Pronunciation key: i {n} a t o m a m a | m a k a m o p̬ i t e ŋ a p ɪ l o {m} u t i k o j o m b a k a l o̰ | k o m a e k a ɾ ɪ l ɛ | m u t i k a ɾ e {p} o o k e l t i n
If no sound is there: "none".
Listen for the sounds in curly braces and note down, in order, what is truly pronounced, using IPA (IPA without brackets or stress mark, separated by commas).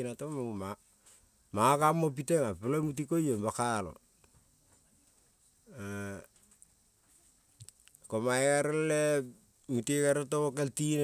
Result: n, m, t